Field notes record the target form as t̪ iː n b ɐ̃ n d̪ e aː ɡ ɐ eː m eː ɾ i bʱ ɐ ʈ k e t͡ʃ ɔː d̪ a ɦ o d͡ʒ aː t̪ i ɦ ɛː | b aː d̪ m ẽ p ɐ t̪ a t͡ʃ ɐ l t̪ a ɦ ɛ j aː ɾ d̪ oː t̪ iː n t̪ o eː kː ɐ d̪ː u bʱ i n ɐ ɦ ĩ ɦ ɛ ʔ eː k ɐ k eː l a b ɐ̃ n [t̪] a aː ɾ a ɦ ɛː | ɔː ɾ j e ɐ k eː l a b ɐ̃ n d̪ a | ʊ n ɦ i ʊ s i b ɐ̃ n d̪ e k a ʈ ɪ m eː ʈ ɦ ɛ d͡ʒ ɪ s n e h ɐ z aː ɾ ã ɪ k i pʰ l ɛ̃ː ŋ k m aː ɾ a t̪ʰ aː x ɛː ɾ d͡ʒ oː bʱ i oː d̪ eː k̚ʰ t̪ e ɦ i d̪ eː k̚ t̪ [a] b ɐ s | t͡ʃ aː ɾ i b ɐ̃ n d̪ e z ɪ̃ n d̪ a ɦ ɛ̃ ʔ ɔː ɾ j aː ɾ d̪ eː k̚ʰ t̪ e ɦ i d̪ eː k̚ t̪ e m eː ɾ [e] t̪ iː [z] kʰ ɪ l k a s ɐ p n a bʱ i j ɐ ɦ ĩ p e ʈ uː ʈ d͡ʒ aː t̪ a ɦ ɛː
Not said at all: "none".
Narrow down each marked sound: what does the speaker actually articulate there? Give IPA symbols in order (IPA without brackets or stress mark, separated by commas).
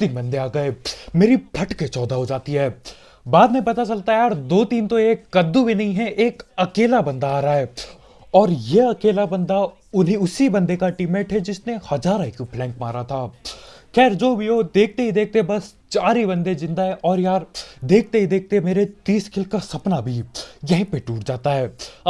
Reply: d̪, e, e, s